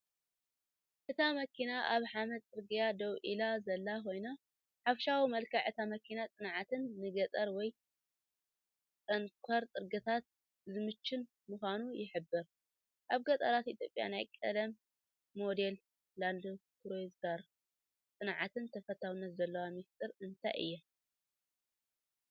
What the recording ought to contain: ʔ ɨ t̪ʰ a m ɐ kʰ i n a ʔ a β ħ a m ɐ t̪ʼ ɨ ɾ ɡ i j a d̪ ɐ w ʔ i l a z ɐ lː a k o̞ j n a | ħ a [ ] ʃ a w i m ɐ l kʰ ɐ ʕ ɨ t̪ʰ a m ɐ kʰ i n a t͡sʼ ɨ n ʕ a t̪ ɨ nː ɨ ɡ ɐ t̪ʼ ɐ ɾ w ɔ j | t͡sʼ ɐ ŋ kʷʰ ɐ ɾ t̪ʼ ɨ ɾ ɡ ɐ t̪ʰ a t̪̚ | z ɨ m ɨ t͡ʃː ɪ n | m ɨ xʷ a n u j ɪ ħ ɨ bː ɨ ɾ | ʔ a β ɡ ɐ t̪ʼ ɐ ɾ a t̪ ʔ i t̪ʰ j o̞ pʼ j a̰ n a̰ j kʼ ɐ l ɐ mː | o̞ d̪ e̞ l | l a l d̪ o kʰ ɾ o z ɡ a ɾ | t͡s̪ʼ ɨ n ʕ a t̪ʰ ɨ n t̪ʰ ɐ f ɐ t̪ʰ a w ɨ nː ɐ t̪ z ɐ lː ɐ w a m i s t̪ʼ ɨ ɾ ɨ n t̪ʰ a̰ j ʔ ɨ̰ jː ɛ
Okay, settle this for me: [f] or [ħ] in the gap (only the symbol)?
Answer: f